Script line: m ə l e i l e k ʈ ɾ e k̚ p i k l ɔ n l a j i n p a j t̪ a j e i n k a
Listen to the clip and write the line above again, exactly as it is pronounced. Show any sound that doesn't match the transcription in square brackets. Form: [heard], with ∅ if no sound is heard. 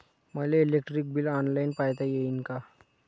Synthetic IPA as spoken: m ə l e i l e k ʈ ɾ [i] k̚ [b] i [∅] l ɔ n l a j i n p a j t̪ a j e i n k a